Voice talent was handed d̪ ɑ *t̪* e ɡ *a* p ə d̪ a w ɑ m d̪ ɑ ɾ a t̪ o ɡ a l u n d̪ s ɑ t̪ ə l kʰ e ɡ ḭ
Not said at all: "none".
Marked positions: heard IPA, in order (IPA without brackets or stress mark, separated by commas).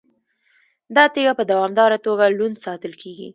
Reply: t̪, a